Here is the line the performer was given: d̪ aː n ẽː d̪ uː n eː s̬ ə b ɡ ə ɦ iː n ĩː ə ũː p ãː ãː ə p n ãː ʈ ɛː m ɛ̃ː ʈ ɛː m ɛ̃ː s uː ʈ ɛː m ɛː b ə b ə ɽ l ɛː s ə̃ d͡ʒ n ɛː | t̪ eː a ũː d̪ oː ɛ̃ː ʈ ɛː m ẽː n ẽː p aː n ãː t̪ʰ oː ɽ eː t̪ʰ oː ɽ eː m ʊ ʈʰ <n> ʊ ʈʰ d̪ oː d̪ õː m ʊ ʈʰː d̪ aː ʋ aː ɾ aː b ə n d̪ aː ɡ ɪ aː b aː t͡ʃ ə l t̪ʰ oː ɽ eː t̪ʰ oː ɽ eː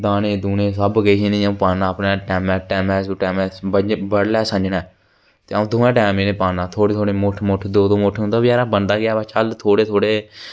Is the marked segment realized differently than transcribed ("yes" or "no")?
yes